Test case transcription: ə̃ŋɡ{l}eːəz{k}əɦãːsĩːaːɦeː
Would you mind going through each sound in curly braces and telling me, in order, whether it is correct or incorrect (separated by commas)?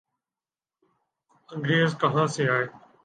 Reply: incorrect, correct